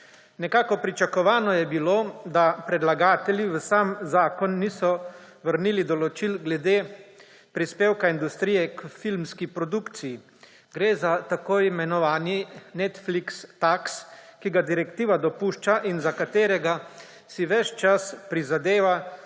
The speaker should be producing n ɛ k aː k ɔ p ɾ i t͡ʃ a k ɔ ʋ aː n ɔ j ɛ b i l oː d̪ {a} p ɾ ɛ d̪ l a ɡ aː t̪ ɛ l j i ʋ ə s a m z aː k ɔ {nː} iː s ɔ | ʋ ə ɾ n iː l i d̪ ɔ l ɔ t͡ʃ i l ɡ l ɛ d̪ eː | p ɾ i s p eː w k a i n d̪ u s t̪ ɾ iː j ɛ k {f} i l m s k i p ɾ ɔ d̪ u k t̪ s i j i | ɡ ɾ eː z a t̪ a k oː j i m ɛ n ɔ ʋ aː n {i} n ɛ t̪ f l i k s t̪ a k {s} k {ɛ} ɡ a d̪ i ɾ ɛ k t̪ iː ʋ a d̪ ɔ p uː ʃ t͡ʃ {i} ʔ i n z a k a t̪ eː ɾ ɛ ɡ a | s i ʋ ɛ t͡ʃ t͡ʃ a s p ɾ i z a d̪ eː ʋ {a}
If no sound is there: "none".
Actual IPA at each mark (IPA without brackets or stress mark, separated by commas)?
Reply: a, nː, f, i, s, i, a, a